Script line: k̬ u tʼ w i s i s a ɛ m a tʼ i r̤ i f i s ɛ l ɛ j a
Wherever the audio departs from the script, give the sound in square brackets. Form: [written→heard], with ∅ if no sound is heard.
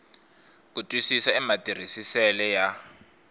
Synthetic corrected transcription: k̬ u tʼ w i s i s a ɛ m a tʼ i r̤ i [f→s] i s ɛ l ɛ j a